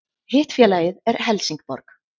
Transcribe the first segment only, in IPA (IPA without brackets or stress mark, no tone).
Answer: h